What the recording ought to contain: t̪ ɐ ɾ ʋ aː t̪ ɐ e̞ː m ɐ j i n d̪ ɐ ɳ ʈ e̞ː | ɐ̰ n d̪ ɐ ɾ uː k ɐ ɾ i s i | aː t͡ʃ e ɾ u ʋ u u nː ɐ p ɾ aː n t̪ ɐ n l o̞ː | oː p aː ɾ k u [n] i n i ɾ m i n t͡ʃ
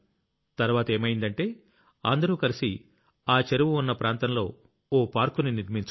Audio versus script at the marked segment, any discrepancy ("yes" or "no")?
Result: no